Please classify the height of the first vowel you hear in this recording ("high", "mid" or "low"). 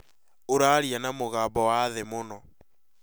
mid